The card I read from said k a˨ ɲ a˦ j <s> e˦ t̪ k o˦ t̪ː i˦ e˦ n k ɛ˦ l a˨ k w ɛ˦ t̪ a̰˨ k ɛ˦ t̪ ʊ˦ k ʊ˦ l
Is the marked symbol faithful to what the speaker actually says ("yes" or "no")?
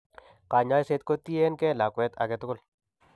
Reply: yes